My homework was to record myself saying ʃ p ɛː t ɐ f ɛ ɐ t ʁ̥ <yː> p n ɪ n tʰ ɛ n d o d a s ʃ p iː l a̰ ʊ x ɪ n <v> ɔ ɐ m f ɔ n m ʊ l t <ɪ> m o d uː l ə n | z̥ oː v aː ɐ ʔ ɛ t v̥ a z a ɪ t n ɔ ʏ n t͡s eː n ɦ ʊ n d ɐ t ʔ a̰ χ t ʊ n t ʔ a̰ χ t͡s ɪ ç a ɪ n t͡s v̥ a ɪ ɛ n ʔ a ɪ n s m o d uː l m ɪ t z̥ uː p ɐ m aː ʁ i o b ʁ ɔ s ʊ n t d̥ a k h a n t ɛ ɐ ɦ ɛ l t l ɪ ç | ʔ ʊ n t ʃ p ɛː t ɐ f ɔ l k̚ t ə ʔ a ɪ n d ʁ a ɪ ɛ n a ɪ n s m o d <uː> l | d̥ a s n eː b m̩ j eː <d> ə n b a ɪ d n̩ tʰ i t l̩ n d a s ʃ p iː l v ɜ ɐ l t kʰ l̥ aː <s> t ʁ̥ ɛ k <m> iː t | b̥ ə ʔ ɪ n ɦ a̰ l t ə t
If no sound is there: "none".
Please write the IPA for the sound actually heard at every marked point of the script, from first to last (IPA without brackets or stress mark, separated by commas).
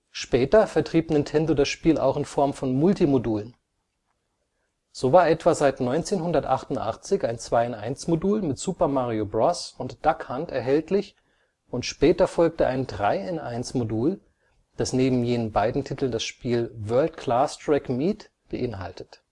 iː, f, i, uː, n, s, m